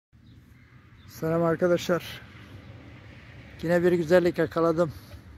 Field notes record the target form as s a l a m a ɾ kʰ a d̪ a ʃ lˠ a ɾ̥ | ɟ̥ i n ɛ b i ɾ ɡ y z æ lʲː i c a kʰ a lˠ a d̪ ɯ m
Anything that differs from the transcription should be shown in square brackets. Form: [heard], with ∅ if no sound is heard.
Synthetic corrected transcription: s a l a m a ɾ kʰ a d̪ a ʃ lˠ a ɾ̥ | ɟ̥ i n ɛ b i ɾ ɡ y z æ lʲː i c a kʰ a lˠ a d̪ ɯ m